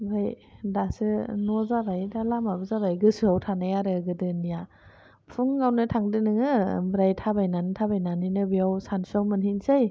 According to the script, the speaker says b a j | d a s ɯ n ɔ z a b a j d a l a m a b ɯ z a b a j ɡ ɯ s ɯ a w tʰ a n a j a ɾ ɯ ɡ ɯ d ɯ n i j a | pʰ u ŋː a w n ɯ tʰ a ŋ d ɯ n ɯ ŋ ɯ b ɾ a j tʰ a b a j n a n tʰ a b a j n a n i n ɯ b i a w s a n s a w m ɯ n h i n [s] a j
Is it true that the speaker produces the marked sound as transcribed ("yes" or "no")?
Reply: yes